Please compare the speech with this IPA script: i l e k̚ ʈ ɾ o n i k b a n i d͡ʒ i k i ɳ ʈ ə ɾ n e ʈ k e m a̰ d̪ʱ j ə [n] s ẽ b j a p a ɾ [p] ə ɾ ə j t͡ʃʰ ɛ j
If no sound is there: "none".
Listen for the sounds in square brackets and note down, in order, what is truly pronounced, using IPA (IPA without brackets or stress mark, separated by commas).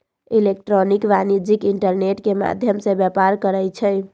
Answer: m, k